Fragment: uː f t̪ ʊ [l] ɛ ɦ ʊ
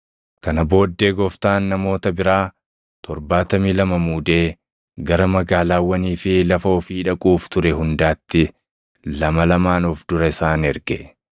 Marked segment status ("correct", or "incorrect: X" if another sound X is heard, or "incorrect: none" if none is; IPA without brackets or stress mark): incorrect: ɾ